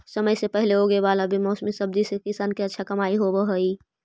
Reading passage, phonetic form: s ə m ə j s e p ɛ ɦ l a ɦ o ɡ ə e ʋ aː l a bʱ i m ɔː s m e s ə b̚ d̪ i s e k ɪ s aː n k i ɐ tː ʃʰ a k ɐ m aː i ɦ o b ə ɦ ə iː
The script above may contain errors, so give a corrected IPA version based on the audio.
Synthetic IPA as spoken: s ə m ə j s e p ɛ ɦ l e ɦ o ɡ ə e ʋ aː l a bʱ i m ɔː s m i s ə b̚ d̪ i s e k ɪ s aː n k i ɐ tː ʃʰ a k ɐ m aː i ɦ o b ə ɦ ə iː

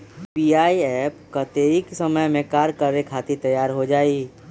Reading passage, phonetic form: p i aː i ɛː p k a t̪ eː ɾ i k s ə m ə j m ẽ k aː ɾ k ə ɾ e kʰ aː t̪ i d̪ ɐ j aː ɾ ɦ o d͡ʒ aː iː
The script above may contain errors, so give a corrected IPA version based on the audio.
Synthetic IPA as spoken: p i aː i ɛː p k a t̪ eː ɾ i k s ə m ə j m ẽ k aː ɾ k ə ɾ e kʰ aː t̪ i t̪ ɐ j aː ɾ ɦ o d͡ʒ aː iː

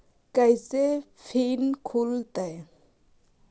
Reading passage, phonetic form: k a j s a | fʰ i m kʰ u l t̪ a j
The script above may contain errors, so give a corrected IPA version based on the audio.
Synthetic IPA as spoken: k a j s e | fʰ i n kʰ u l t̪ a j

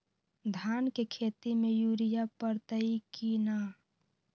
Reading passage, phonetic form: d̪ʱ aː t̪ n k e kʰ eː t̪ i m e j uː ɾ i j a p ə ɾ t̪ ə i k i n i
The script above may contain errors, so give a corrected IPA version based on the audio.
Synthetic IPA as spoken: d̪ʱ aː n k e kʰ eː t̪ i m e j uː ɾ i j a p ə ɾ t̪ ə i k i n a

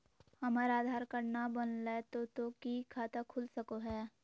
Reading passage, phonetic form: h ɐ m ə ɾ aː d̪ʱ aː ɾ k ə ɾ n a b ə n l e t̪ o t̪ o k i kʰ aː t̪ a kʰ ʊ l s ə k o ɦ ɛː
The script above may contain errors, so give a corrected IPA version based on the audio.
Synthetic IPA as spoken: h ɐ m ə ɾ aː d̪ʱ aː ɾ k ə ɾ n a b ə n l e t̪ o t̪ o k i kʰ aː t̪ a kʰ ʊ l s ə k o ɦ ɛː

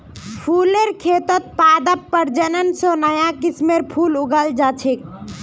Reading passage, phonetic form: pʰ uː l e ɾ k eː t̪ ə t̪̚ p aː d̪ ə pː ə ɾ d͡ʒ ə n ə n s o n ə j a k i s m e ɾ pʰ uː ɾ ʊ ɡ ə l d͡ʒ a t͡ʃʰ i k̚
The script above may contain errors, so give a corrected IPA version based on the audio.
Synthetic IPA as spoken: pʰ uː l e ɾ kʰ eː t̪ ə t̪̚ p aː d̪ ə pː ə ɾ d͡ʒ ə n ə n s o n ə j a k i s m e ɾ pʰ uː l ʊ ɡ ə l d͡ʒ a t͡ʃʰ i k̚

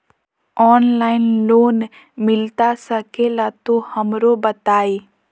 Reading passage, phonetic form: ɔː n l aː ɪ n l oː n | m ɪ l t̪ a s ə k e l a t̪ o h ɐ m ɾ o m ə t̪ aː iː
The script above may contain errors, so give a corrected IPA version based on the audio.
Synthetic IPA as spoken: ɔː n l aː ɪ n l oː n | m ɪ l t̪ a s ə k e l a t̪ o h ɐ m ɾ o b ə t̪ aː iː

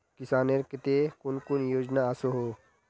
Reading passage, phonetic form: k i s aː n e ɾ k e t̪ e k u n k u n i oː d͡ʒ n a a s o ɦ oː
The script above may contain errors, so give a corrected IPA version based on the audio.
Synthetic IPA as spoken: k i s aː n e ɾ k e t̪ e k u n k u n j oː d͡ʒ n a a s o ɦ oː

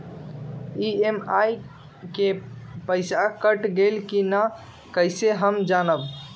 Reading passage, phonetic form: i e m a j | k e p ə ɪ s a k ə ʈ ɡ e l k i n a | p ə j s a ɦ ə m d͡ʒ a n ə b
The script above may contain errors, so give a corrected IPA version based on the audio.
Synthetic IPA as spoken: i e m a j | k e p ə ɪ s a k ə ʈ ɡ e l k i n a | k ə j s e ɦ ə m d͡ʒ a n ə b

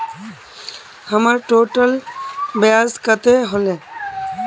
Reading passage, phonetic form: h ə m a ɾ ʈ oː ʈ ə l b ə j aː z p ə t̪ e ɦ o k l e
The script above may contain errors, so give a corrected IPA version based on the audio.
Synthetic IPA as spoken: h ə m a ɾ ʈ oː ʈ ə l b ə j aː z k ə t̪ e ɦ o l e

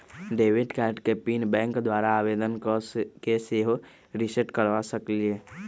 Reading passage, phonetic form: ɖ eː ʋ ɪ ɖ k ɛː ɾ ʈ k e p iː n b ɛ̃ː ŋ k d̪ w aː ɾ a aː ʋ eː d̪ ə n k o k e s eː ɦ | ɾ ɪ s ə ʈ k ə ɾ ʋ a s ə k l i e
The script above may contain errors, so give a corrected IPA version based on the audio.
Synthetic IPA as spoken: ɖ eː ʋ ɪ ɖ k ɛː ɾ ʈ k e p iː n b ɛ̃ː ŋ k d̪ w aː ɾ a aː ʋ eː d̪ ə n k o k e s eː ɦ | ɾ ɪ s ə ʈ k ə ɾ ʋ a s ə k l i e

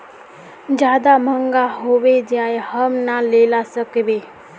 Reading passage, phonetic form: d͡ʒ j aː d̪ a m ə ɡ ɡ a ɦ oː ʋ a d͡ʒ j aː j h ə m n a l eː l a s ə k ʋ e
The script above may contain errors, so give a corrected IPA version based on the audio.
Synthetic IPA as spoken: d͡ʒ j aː d̪ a m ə ŋ ɡ a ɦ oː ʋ e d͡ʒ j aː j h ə m n a l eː l a s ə k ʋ e

